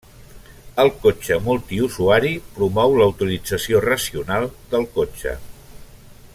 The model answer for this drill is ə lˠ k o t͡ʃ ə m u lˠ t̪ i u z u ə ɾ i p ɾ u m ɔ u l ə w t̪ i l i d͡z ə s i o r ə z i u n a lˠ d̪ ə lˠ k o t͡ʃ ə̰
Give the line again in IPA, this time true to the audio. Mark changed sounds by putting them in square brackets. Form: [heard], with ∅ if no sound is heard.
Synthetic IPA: ə lˠ k o t͡ʃ ə m u lˠ t̪ i u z u [a] ɾ i p ɾ u m ɔ [w] l ə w t̪ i l i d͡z ə s i o r ə [s] i u n a lˠ d̪ ə lˠ k o t͡ʃ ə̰